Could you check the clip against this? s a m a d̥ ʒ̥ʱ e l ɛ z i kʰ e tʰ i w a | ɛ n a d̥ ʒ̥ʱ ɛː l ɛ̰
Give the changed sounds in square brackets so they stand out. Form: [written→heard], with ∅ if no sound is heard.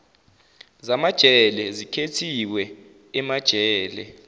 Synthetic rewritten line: [s→z] a m a d̥ ʒ̥ʱ [e→ɛ] l ɛ z i kʰ e tʰ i w [a→ɛ] | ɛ [n→m] a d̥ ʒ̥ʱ ɛː l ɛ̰